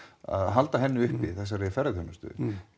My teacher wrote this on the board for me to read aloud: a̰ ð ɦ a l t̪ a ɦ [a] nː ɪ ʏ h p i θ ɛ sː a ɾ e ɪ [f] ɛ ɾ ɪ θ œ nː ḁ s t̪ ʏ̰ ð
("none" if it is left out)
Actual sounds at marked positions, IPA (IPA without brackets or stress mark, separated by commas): ɛ, f